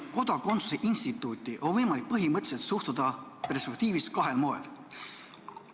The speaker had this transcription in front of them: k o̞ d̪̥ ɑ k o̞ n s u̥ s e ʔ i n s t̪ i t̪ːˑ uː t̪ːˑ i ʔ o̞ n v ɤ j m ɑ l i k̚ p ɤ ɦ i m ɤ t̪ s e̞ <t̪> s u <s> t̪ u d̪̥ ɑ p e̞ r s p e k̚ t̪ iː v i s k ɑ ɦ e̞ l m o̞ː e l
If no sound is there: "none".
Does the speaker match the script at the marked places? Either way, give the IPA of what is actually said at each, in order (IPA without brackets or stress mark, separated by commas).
t̪, h